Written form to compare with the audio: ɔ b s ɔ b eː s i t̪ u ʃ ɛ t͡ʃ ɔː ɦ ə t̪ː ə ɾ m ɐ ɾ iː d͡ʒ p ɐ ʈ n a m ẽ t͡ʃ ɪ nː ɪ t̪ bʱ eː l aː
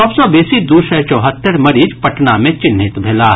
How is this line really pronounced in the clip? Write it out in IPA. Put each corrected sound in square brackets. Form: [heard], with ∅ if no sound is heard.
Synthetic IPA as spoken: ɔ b s ɔ b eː s i [d̪] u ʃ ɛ t͡ʃ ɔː ɦ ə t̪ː ə ɾ m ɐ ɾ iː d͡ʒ p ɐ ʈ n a m ẽ t͡ʃ ɪ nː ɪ t̪ bʱ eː l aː